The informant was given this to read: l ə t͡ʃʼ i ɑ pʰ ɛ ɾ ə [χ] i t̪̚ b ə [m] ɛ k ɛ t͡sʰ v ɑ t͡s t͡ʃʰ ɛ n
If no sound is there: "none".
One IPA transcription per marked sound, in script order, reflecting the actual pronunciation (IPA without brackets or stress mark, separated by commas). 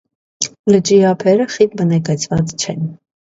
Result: χ, n